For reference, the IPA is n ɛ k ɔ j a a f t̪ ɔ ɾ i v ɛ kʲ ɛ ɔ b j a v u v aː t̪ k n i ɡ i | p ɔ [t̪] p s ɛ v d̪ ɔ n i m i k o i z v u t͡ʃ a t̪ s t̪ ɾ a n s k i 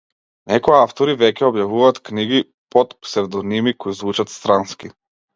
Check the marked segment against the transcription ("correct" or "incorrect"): correct